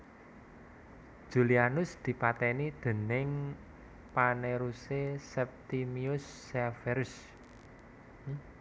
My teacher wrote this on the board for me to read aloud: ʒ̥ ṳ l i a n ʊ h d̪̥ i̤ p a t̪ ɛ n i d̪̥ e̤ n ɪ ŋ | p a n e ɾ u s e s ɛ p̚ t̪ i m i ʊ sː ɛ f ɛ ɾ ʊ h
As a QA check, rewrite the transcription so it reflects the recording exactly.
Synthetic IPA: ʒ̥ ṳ l i a n ʊ s d̪̥ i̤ p a t̪ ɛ n i d̪̥ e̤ n ɪ ŋ | p a n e ɾ u s e s ɛ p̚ t̪ i m i ʊ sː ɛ f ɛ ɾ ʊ s